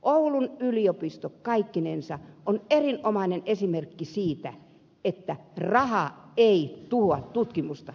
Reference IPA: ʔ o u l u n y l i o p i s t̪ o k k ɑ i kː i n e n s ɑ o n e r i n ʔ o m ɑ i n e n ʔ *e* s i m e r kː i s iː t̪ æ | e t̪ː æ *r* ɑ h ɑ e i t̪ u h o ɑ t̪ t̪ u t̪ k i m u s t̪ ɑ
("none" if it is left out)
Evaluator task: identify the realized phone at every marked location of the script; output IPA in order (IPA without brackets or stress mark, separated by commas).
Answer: e, r